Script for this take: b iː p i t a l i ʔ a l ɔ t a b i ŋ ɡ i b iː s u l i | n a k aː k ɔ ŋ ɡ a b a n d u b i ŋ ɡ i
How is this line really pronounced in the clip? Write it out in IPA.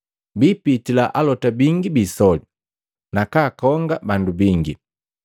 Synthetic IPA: b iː p i t i l a ʔ a l ɔ t a b i ŋ ɡ i b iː s ɔ l i | n a k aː k ɔ ŋ ɡ a b a n d u b i ŋ ɡ i

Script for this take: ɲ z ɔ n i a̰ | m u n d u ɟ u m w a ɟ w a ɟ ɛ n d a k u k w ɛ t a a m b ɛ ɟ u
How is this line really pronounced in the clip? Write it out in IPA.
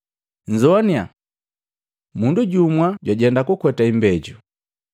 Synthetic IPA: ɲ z ɔ n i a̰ | m u n d u ɟ u m w a ɟ w a ɟ ɛ n d a k u k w ɛ t a i m b ɛ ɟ u

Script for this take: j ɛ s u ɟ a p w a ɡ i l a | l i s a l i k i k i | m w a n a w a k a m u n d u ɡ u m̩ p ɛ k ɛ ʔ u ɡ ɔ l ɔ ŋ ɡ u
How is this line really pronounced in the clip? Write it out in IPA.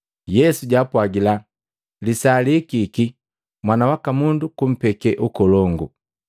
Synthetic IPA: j ɛ s u ɟ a p w a ɡ i l a | l i s a l i k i k i | m w a n a w a k a m u n d u k u m̩ p ɛ k ɛ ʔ u k ɔ l ɔ ŋ ɡ u

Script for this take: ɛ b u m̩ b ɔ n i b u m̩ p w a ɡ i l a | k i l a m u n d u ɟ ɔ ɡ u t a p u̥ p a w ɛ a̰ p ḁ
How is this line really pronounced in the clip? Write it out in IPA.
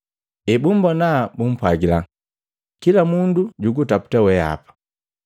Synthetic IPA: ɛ b u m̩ b ɔ n a b u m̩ p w a ɡ i l a | k i l a m u n d u ɟ u ɡ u t a p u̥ t a w ɛ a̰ p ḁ

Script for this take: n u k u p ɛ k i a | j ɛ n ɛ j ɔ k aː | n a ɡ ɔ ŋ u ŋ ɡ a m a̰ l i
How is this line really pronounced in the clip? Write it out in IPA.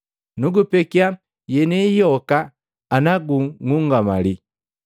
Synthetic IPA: n u ɡ u p ɛ k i a | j ɛ n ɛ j ɔ k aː | n a ɡ u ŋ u ŋ ɡ a m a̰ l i

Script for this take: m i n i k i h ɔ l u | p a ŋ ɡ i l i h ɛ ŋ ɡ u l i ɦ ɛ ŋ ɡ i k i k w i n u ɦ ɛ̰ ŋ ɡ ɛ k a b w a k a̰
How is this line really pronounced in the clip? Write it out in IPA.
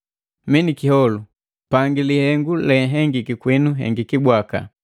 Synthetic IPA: m i n i k i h ɔ l u | p a ŋ ɡ i l i h ɛ ŋ ɡ u l ɛ ɦ ɛ ŋ ɡ i k i k w i n u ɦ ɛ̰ ŋ ɡ i k i b w a k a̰

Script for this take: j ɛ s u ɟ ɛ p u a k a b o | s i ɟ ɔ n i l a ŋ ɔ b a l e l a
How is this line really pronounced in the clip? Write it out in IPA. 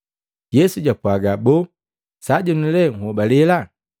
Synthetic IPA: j ɛ s u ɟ a p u a ɡ a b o | s a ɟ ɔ n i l ɛ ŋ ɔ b a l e l a

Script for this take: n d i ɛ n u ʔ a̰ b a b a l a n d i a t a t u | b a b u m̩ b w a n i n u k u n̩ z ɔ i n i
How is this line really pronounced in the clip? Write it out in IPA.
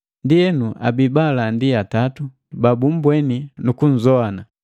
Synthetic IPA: n d i ɛ n u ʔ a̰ b i b a l a n d i a t a t u | b a b u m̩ b w ɛ n i n u k u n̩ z ɔ a n a

